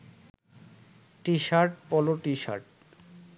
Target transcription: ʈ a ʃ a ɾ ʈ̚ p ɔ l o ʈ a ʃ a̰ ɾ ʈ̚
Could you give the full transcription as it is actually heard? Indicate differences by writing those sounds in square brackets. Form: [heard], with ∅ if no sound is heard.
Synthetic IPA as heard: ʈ [i] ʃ a ɾ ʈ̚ p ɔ l o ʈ [i] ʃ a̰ ɾ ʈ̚